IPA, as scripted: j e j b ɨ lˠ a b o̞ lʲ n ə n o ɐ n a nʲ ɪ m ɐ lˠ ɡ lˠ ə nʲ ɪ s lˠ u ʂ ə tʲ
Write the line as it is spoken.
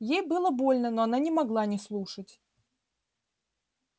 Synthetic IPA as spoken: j e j b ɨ lˠ ə b o̞ lʲ n ə n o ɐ n a nʲ ɪ m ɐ ɡ lˠ a nʲ ɪ s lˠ u ʂ ə tʲ